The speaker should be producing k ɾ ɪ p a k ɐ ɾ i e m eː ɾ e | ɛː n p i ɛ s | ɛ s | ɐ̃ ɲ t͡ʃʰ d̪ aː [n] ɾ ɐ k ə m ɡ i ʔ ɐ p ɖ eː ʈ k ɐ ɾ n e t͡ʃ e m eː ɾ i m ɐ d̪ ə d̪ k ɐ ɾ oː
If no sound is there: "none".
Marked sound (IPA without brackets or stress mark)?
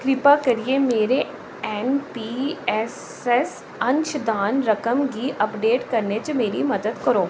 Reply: n